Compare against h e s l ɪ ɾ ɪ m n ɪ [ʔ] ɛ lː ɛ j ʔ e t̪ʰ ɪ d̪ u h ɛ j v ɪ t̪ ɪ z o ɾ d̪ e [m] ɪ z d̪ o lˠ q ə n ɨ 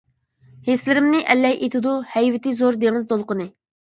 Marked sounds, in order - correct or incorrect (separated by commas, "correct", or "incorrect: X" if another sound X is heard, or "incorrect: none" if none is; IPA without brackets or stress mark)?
correct, incorrect: ŋ